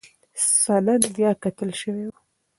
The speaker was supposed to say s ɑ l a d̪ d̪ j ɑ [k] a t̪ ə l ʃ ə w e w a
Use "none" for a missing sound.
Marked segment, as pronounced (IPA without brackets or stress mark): k